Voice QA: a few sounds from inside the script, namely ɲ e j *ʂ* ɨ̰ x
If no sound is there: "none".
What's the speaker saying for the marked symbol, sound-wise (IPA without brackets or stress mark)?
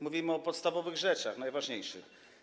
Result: ʂ